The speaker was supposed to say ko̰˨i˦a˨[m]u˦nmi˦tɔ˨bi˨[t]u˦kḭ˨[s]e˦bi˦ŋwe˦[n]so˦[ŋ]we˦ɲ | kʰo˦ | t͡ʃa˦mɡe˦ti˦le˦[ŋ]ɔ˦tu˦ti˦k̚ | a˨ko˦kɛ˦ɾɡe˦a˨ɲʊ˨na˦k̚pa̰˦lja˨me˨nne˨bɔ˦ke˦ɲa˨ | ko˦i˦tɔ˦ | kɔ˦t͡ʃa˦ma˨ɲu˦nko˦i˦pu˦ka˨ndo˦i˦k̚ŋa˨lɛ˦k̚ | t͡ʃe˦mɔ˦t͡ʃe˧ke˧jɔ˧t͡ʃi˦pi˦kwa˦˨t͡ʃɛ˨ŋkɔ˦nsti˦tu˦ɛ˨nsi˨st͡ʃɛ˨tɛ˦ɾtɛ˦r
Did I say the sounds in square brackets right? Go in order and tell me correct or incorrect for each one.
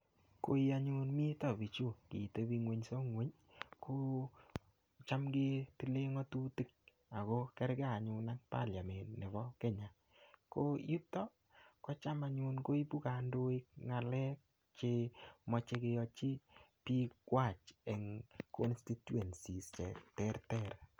incorrect: ɲ, incorrect: t͡ʃ, incorrect: t, incorrect: ɲ, correct, correct

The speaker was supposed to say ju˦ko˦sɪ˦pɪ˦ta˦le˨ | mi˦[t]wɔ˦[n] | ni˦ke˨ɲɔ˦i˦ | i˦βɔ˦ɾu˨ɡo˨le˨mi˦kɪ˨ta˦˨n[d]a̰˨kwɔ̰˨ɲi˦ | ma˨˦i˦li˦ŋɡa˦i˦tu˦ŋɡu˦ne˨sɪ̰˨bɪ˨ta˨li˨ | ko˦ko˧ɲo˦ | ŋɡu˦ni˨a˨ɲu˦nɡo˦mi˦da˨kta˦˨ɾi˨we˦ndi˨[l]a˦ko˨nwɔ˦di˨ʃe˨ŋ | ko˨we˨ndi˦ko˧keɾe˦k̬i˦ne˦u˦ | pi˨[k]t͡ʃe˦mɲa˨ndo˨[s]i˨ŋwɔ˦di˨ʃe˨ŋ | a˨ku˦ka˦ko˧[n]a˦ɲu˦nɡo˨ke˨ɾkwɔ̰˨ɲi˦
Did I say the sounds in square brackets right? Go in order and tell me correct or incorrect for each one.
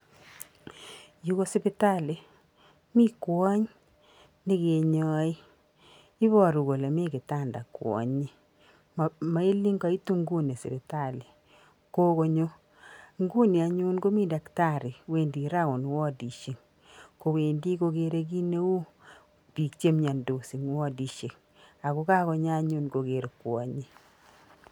incorrect: k, incorrect: ɲ, correct, incorrect: ɾ, correct, correct, incorrect: ɲ

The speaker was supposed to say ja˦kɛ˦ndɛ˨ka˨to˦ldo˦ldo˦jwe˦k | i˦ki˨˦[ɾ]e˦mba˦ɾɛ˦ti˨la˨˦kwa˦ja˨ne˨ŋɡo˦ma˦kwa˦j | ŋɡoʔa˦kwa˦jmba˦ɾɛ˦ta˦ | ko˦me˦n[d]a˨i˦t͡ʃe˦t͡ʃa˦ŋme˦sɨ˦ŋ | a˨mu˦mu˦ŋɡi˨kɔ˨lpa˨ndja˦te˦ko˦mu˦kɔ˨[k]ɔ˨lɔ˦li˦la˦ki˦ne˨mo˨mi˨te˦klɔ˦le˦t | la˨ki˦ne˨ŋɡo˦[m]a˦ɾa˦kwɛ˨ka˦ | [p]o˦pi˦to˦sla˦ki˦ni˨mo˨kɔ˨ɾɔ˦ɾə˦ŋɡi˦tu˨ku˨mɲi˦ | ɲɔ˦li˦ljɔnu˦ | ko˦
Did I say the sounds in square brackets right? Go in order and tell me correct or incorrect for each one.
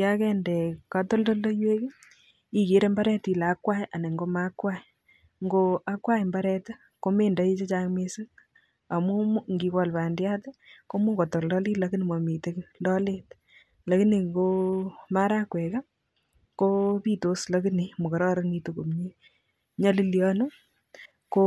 correct, correct, incorrect: t, correct, incorrect: k

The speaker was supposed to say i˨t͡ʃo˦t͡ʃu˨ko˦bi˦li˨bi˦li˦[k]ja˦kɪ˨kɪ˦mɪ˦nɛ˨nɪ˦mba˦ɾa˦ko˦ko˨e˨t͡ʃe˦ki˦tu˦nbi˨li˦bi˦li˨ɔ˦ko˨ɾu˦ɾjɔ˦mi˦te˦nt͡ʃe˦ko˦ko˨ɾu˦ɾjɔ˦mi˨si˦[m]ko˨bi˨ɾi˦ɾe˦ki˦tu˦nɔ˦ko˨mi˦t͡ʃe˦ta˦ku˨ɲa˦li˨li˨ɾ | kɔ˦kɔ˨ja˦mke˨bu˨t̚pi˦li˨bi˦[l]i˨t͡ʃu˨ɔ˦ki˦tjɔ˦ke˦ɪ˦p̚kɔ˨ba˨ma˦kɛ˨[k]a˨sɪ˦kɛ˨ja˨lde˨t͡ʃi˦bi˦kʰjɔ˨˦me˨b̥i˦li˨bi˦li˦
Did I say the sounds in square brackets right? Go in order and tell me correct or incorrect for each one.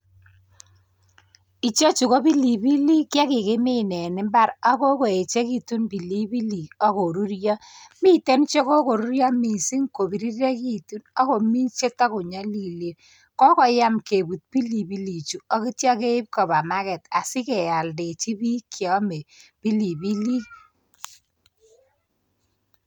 correct, incorrect: ŋ, correct, incorrect: t

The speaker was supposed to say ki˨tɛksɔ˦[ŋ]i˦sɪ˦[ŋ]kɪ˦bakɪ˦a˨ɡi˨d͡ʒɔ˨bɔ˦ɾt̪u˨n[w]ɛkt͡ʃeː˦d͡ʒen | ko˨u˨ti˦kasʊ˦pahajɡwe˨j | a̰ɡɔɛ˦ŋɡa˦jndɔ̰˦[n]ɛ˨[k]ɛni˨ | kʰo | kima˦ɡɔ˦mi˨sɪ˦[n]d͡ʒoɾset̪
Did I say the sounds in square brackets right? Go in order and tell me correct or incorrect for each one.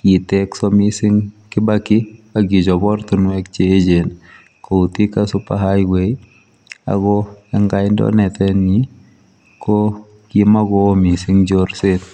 incorrect: m, correct, correct, correct, incorrect: t, incorrect: ŋ

